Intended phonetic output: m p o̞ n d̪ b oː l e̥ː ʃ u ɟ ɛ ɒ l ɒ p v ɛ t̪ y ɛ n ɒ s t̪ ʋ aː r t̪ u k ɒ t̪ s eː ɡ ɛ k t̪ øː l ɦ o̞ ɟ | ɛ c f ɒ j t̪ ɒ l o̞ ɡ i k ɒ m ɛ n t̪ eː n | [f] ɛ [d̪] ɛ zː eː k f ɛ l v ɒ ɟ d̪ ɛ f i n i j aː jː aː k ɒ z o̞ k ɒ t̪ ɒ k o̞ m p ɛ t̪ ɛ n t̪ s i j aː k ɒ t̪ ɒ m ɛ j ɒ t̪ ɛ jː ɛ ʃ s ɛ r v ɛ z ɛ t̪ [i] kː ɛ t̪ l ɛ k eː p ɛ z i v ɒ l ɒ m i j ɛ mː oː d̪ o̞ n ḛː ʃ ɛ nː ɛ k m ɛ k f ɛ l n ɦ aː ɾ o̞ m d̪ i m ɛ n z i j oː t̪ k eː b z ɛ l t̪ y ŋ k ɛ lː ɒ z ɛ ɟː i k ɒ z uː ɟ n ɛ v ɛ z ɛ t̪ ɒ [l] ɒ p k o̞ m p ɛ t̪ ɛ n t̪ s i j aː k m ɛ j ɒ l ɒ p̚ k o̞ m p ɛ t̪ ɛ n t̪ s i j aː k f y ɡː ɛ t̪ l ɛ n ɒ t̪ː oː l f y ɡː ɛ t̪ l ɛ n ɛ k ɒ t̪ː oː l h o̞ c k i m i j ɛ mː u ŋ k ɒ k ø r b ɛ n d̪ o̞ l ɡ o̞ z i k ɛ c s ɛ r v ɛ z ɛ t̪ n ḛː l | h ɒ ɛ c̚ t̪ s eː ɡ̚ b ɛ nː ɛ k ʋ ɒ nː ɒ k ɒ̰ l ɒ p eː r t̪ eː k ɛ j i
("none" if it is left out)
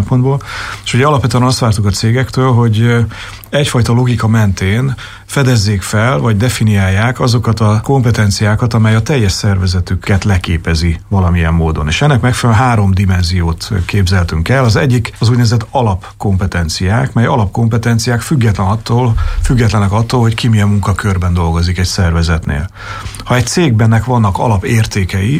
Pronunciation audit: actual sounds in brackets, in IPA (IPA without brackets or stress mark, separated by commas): f, d̪, y, l